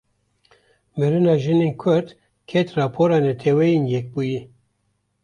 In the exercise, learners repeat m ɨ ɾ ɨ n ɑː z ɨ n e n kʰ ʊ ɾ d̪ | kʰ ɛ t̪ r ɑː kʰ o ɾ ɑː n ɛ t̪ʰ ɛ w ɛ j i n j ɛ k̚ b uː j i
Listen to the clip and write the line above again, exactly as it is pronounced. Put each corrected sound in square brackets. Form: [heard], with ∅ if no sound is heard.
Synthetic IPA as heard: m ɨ ɾ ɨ n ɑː [ʒ] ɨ n e n kʰ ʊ ɾ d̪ | kʰ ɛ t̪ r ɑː [pʰ] o ɾ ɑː n ɛ t̪ʰ ɛ w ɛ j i n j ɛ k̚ b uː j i